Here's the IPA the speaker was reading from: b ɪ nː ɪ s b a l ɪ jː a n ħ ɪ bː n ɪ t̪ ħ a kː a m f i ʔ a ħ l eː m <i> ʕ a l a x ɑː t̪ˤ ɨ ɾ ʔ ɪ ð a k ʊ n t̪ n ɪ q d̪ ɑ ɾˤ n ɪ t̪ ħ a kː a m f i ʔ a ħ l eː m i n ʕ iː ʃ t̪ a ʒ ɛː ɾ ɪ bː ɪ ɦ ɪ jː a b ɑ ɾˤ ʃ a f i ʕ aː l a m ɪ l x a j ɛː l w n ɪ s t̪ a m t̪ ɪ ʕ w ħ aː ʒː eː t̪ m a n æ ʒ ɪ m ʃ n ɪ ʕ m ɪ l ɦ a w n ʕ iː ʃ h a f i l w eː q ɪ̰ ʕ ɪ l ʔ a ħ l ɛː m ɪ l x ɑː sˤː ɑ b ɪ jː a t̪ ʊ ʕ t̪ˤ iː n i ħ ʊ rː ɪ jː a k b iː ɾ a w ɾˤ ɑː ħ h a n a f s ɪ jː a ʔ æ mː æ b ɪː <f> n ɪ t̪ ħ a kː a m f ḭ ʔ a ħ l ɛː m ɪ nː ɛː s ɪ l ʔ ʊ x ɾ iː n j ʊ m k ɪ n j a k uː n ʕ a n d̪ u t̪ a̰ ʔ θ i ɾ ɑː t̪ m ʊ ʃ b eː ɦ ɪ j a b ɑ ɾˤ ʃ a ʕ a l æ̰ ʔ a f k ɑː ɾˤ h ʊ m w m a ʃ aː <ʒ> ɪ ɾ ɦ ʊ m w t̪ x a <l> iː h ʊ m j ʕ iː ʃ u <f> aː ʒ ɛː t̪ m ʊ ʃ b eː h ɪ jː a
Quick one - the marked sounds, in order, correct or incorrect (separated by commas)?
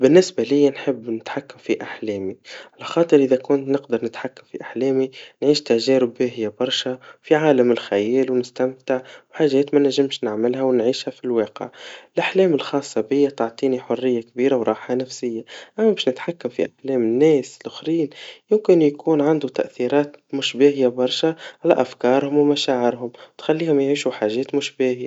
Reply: correct, incorrect, incorrect, incorrect, incorrect